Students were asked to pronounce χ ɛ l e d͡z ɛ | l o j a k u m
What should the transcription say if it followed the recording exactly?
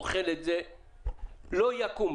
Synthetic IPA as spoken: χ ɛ l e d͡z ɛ | l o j a k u m